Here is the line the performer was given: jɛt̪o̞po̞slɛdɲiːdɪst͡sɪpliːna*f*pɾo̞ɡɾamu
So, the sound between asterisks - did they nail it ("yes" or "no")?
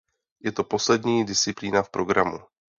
yes